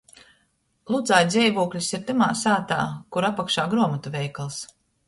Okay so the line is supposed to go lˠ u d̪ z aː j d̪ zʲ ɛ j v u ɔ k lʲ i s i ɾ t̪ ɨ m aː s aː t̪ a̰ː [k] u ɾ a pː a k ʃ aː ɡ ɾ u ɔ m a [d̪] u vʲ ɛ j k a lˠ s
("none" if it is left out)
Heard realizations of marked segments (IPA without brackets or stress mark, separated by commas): k, t̪